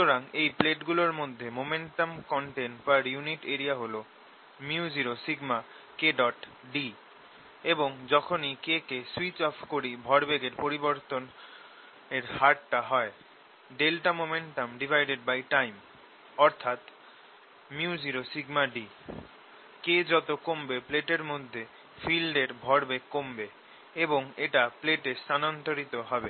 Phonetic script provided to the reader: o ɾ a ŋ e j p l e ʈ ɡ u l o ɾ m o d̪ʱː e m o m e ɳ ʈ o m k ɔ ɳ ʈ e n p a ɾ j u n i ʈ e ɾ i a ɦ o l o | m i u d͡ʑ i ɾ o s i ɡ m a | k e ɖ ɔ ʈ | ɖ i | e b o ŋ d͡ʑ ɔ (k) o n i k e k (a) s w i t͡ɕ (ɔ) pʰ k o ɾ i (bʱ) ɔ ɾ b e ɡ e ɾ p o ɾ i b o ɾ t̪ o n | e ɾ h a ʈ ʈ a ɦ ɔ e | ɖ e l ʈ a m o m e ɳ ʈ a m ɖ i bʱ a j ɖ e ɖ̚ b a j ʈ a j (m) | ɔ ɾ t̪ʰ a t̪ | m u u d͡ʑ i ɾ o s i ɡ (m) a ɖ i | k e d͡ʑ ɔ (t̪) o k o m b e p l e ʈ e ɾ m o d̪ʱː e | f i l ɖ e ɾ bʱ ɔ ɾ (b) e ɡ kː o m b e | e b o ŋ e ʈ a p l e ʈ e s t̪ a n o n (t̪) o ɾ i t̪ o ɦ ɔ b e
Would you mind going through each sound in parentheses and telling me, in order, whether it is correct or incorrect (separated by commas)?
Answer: incorrect, incorrect, correct, correct, correct, correct, correct, correct, correct